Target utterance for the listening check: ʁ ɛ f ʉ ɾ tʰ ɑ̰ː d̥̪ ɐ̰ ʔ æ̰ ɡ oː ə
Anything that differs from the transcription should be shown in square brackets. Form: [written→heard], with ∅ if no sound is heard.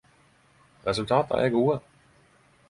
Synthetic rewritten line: ʁ ɛ [f→s] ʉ [ɾ→l] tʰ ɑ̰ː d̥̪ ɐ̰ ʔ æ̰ ɡ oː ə